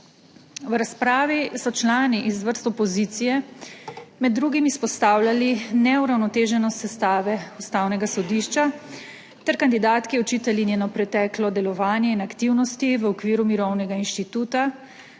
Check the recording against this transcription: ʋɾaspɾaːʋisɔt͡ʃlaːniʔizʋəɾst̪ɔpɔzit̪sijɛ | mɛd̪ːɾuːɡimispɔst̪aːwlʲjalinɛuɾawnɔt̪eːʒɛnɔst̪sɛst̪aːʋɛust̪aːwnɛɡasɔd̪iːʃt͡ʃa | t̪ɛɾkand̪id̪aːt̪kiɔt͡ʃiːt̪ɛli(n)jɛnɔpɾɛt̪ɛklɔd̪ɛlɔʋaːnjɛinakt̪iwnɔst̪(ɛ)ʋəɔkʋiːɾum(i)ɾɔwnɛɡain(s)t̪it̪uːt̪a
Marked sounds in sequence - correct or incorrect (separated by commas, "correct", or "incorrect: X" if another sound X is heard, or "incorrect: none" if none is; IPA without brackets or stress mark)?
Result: correct, incorrect: i, correct, incorrect: ʃ